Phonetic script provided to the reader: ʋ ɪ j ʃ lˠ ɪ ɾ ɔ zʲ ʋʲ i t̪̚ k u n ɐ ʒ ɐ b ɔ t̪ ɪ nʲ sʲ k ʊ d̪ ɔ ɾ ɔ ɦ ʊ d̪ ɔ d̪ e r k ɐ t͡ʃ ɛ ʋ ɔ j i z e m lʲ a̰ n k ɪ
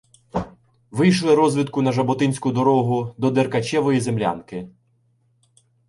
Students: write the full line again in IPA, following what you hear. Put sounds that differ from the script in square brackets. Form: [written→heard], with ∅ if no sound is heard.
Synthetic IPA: ʋ ɪ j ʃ lˠ ɪ ɾ ɔ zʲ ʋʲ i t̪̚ k [u→ʊ] n ɐ ʒ ɐ b ɔ t̪ ɪ nʲ sʲ k ʊ d̪ ɔ ɾ ɔ ɦ ʊ d̪ ɔ d̪ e r k ɐ t͡ʃ ɛ ʋ ɔ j i z e m lʲ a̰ n k ɪ